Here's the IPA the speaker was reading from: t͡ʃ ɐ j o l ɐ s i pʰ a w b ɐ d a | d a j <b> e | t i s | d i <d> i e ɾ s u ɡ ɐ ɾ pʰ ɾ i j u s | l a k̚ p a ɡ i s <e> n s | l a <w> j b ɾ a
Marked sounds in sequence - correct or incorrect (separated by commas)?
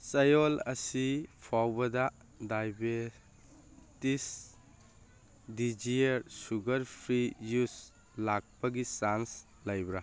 correct, incorrect, incorrect, incorrect